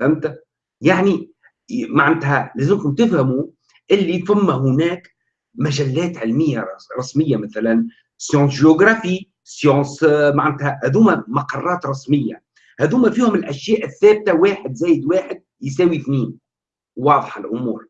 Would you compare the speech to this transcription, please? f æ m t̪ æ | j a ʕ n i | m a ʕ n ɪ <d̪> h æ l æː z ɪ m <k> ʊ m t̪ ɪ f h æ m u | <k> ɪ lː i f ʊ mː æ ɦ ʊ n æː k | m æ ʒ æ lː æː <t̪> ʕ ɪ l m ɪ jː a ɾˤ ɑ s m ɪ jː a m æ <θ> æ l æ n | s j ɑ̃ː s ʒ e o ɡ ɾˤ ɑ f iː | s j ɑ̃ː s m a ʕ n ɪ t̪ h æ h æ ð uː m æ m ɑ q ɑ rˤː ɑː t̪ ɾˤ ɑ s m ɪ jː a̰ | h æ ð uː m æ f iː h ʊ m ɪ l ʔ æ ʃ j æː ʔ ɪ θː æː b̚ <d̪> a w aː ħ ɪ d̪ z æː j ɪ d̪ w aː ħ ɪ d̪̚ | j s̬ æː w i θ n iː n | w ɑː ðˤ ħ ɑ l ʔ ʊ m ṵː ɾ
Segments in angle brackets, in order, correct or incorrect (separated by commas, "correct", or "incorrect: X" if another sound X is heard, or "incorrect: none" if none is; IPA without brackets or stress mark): incorrect: t̪, correct, incorrect: ʔ, correct, correct, incorrect: t̪